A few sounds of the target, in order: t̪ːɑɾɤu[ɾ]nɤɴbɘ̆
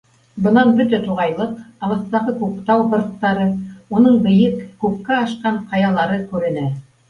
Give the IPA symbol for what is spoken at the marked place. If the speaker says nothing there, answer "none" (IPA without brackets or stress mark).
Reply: none